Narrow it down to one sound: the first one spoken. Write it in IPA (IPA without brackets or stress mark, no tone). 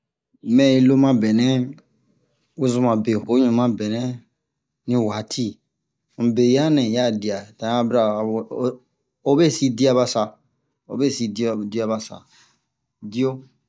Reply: m